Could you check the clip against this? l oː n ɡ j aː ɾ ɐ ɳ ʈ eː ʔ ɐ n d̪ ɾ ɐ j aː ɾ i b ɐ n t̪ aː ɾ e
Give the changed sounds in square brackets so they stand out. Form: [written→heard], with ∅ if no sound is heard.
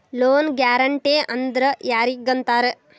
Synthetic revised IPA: l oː n ɡ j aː ɾ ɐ ɳ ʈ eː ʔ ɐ n d̪ ɾ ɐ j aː ɾ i [b→ɡ] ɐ n t̪ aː ɾ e